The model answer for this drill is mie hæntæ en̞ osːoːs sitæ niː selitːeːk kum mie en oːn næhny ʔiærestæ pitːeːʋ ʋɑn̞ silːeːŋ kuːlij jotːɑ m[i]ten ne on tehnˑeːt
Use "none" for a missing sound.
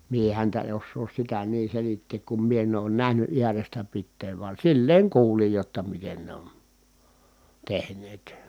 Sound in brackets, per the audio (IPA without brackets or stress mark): i